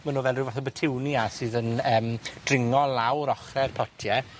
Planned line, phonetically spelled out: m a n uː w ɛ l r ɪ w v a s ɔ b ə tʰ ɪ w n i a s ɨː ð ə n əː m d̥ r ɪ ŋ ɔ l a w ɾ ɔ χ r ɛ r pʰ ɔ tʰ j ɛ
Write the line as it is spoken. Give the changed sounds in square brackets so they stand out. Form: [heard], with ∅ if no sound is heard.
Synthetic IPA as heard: m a n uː [v] ɛ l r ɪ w v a [θ] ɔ b ə tʰ ɪ w n i a s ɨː ð ə n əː m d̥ r ɪ ŋ ɔ l a w ɾ ɔ χ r ɛ r pʰ ɔ tʰ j ɛ